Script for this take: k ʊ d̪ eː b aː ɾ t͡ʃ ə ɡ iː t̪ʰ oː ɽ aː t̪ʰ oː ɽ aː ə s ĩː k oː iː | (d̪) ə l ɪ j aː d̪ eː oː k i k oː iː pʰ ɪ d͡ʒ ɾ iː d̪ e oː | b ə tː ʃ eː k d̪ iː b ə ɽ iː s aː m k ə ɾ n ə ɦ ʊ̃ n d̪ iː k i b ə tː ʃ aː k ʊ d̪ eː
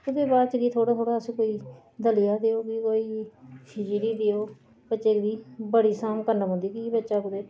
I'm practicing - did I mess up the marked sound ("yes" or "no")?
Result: no